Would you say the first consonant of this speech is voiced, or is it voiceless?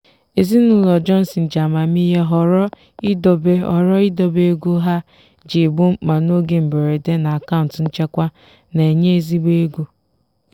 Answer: voiced